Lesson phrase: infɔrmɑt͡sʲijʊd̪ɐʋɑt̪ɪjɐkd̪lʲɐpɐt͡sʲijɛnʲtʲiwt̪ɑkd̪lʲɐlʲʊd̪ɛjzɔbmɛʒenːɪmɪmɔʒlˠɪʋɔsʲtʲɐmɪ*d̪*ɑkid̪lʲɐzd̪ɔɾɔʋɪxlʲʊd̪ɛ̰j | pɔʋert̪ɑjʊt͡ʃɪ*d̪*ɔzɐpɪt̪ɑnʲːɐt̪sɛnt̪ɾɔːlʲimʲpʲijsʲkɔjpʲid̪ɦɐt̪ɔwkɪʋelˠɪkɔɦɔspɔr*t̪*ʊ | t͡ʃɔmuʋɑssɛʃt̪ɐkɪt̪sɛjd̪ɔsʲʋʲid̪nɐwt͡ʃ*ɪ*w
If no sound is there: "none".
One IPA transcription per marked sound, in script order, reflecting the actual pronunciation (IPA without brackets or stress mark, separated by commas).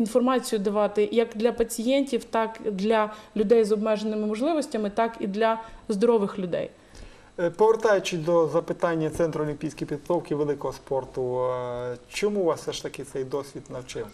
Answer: t̪, d̪, t̪, ɪ